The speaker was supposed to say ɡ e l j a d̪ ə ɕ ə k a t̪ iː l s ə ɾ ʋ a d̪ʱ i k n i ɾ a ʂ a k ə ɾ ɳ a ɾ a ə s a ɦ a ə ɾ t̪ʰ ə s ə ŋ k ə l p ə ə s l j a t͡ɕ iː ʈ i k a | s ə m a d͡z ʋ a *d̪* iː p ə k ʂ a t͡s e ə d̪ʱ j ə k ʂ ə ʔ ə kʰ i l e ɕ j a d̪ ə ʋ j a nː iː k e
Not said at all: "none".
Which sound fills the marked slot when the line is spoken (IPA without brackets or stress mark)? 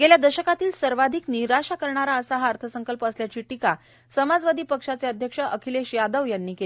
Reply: d̪